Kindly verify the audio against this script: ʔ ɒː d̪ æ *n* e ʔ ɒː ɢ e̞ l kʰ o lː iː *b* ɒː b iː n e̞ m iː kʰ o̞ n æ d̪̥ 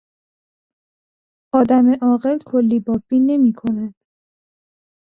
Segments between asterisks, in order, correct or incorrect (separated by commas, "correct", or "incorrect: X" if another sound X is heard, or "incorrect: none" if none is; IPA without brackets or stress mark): incorrect: m, correct